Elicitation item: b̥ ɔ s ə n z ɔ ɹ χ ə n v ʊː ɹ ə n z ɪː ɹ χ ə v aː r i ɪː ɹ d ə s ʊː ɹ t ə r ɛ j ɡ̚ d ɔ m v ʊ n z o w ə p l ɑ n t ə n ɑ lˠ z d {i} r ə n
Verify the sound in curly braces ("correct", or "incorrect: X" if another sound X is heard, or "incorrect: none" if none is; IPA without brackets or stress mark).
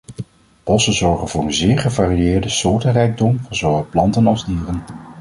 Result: incorrect: iː